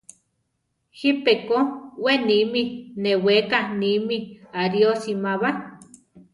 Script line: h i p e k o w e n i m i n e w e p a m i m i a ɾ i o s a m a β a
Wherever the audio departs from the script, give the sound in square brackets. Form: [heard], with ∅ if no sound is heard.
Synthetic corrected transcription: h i p e k o w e n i m i n e w e [k] a [n] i m i a ɾ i o s [i] m a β a